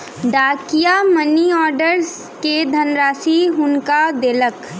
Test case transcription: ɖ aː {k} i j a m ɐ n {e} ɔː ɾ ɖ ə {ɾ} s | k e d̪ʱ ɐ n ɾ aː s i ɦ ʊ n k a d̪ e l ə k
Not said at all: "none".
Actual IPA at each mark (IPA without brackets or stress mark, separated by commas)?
k, i, ɾ